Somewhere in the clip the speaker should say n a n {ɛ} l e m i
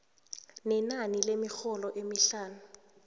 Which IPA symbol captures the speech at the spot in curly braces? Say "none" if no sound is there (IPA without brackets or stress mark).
i